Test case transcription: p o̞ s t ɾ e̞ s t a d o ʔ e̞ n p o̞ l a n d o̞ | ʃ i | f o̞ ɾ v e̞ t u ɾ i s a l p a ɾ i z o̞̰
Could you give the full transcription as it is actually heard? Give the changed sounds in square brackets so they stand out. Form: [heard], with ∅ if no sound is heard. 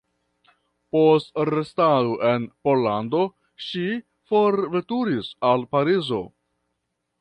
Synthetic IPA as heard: p o̞ s t ɾ e̞ s t a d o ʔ e̞ n p o̞ l a n d o̞ | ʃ i | f o̞ ɾ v e̞ t u ɾ i s a l p a ɾ i z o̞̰